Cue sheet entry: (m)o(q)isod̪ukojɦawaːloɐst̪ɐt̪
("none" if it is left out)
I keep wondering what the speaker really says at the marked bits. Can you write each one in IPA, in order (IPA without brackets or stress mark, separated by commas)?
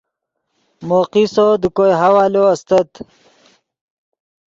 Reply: m, q